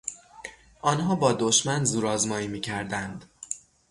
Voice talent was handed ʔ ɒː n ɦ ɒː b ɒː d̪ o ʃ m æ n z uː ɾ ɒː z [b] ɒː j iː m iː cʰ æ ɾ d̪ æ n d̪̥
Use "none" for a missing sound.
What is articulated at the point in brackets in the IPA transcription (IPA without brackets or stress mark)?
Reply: m